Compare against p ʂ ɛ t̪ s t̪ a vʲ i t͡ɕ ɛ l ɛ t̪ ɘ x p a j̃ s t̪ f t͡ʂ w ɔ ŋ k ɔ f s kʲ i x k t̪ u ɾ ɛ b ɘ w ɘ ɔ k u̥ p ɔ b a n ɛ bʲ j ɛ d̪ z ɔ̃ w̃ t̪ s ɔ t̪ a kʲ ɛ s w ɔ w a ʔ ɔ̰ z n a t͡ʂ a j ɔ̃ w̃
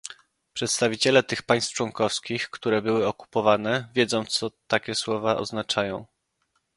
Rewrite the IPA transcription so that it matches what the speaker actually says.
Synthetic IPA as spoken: p ʂ ɛ t̪ s t̪ a vʲ i t͡ɕ ɛ l ɛ t̪ ɘ x p a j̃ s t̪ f t͡ʂ w ɔ ŋ k ɔ f s kʲ i x k t̪ u ɾ ɛ b ɘ w ɘ ɔ k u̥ p ɔ v a n ɛ vʲ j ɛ d̪ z ɔ̃ w̃ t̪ s ɔ t̪ a kʲ ɛ s w ɔ v a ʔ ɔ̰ z n a t͡ʂ a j ɔ̃ w̃